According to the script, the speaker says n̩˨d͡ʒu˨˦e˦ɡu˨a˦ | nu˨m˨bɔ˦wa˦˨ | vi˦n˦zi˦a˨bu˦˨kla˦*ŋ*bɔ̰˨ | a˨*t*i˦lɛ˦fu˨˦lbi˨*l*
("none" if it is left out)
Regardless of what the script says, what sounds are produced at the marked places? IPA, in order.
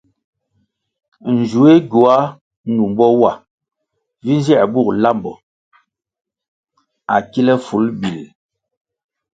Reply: m, k, l

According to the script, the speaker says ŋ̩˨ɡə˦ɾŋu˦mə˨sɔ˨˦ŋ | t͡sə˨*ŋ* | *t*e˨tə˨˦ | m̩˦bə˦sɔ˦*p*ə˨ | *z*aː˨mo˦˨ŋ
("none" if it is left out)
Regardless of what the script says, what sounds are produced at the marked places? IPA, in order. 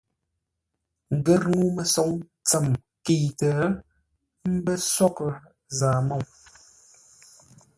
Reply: m, k, k, z

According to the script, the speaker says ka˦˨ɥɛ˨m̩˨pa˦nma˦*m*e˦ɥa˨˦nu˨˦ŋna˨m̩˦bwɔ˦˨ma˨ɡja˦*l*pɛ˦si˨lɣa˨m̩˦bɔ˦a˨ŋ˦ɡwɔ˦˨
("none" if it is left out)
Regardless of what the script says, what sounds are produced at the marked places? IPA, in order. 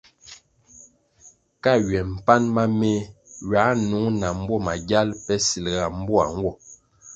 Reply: m, l

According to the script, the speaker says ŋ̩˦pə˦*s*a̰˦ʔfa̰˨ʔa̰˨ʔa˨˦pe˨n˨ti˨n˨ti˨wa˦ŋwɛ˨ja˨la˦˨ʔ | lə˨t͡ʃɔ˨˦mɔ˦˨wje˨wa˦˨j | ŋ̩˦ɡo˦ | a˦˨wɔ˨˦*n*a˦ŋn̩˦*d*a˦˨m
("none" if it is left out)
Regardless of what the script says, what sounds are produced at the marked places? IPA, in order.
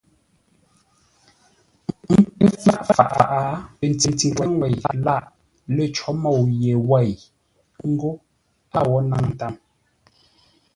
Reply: f, n, t

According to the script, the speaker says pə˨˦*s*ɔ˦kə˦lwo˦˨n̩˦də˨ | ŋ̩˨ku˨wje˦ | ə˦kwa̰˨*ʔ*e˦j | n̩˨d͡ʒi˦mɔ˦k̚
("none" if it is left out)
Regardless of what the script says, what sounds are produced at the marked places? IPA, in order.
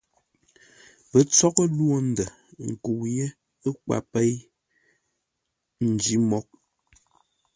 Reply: t͡s, p

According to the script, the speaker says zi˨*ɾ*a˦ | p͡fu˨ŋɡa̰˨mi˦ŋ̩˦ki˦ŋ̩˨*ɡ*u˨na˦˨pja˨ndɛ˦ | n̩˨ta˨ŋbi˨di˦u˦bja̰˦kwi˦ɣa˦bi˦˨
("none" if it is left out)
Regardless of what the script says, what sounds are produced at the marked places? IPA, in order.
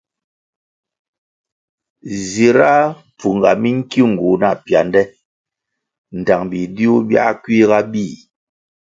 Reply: ɾ, ɡ

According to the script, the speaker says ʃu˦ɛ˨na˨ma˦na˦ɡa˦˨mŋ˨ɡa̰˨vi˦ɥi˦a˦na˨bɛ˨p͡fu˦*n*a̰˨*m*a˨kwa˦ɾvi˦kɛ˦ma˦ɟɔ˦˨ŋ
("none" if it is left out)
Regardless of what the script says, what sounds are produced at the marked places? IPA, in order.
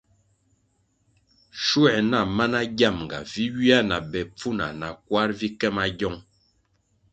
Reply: n, n

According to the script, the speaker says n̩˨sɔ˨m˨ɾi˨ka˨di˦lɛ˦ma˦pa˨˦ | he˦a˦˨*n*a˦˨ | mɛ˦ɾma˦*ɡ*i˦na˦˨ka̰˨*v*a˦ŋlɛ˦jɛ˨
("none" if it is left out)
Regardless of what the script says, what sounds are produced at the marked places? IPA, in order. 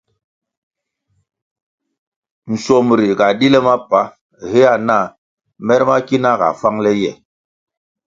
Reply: n, k, f

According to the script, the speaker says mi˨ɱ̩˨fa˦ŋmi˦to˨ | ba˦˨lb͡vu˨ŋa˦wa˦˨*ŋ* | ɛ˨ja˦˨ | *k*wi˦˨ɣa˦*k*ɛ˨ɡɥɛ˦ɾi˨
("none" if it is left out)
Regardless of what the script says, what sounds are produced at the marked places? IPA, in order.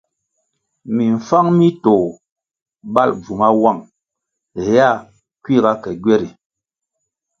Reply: ŋ, k, k

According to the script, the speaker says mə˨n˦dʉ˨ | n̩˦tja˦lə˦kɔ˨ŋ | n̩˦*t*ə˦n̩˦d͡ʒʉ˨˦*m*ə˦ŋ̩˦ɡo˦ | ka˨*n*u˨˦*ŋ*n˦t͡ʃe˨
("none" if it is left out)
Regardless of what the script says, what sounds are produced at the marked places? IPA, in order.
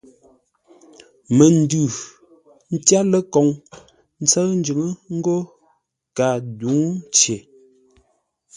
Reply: t͡s, ŋ, d, ŋ

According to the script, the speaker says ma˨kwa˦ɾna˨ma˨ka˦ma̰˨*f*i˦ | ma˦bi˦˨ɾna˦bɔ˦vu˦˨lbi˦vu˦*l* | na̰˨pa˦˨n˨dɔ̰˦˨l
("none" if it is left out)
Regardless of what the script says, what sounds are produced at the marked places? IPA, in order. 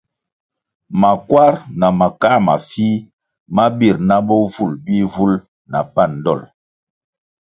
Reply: f, l

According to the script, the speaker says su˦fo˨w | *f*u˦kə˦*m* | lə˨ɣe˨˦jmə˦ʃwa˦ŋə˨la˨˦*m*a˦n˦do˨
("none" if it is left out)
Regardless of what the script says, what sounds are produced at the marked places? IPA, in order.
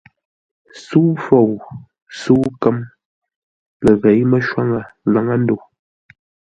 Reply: s, m, ŋ

